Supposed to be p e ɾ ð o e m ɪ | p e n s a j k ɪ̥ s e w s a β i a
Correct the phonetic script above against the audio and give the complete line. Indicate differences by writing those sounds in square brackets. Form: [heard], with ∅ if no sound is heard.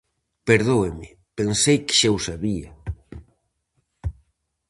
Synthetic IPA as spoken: p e ɾ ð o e m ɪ | p e n s [e] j k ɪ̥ [ʃ] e w s a β i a

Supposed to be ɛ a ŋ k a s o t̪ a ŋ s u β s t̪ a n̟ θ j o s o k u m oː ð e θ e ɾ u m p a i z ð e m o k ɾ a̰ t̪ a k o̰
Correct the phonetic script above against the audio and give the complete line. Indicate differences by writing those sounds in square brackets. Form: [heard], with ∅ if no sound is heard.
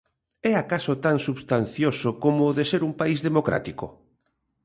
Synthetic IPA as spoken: ɛ a [∅] k a s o t̪ a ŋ s u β s t̪ a n̟ θ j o s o k [o] m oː ð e [s] e ɾ u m p a i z ð e m o k ɾ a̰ t̪ [i] k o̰

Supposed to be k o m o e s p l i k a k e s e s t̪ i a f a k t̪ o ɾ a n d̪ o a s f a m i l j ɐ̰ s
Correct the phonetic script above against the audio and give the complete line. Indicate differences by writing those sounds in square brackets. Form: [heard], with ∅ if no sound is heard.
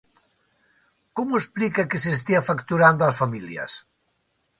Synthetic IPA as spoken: k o m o e s p l i k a k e s e s t̪ i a f a k t̪ [u] ɾ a n d̪ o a s f a m i l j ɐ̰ s

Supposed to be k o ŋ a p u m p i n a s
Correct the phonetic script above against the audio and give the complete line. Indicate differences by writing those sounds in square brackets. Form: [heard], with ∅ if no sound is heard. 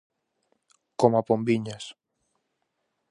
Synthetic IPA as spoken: k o [m] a p [o] m [b] i [ɲ] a s

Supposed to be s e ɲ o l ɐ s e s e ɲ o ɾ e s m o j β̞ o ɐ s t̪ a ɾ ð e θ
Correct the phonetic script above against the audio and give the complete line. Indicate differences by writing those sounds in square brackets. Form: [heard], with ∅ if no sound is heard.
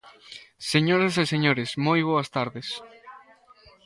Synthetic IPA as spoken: s e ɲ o [ɾ] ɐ s e s e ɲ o ɾ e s m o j β̞ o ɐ s t̪ a ɾ ð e [s]

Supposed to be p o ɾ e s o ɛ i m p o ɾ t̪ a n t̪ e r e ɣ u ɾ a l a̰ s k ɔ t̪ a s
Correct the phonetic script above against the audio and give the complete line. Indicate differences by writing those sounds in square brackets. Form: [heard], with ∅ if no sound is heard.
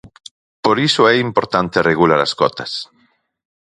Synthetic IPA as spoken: p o ɾ [i] s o ɛ i m p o ɾ t̪ a n t̪ e r e ɣ u [l] a [ɾ] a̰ s k ɔ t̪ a s

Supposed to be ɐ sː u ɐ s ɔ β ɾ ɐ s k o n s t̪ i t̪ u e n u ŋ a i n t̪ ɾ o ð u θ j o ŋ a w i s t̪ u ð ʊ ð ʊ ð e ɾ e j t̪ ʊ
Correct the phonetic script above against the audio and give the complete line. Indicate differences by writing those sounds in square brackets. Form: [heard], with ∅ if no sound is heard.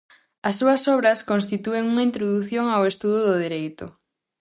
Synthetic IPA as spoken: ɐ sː u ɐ s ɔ β ɾ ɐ s k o n s t̪ i t̪ u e [ŋ] u ŋ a i n t̪ ɾ o ð u θ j o ŋ a w [e] s t̪ u ð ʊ ð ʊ ð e ɾ e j t̪ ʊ

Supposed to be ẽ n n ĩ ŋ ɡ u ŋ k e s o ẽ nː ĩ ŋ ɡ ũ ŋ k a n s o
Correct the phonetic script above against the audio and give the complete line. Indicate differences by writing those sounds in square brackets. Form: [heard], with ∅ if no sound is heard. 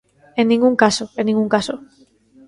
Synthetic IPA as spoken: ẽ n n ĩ ŋ ɡ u ŋ k [a] s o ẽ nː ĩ ŋ ɡ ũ ŋ k a [∅] s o

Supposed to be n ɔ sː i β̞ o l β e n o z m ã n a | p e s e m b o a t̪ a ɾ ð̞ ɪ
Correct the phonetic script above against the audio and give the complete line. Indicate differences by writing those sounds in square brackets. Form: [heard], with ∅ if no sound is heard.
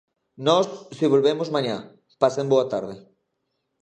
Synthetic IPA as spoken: n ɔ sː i β̞ o l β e [m] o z m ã [ɲ] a | p [a] s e m b o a t̪ a ɾ ð̞ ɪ

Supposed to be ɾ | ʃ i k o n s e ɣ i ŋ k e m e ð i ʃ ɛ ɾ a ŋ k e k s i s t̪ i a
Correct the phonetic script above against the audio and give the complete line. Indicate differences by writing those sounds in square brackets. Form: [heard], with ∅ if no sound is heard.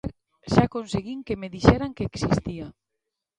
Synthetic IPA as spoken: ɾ | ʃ [a] k o n s e ɣ i ŋ k e m e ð i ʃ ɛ ɾ a ŋ k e k s i s t̪ i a

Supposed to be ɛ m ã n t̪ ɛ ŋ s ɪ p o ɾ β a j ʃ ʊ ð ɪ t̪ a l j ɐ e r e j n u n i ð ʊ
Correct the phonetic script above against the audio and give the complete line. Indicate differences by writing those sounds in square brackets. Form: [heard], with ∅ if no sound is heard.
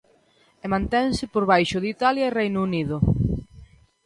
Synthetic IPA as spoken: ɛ m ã n t̪ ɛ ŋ s ɪ p o ɾ β a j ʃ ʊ ð [i] t̪ a l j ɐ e r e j n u n i ð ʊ

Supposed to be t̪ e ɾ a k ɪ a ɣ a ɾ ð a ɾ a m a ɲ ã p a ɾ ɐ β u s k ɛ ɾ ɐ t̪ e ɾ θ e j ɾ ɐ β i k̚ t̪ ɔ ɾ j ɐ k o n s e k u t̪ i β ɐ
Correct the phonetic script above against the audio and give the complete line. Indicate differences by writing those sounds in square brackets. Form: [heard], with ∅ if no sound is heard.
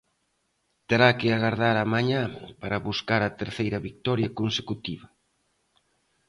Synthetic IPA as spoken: t̪ e ɾ a k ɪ a ɣ a ɾ ð a ɾ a m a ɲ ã p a ɾ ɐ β u s k [a] ɾ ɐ t̪ e ɾ θ e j ɾ ɐ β i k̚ t̪ ɔ ɾ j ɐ k o n s e k u t̪ i β ɐ

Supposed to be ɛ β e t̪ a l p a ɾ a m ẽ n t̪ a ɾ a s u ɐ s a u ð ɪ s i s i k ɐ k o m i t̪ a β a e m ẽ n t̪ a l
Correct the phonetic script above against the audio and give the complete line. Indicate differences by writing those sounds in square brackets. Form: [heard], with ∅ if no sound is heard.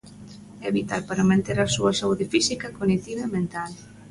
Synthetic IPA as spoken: ɛ β [i] t̪ a l p a ɾ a m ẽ n t̪ [e] ɾ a s u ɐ s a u ð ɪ [f] i s i k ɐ k o [n] i t̪ [i] β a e m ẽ n t̪ a l

